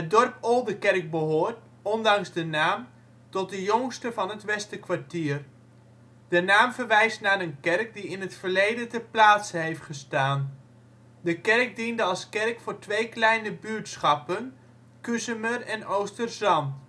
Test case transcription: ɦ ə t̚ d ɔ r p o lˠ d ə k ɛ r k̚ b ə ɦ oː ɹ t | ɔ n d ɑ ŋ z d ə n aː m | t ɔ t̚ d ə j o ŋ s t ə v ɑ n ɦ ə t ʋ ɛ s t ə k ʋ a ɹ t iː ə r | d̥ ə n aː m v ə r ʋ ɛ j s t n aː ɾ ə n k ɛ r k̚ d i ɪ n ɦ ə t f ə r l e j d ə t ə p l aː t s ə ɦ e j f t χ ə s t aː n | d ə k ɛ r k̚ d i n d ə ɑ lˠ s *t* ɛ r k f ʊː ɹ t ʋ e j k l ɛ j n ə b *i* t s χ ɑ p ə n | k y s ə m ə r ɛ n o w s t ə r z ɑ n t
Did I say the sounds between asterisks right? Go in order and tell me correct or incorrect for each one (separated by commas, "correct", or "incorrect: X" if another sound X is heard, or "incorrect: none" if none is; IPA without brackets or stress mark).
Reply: incorrect: k, incorrect: y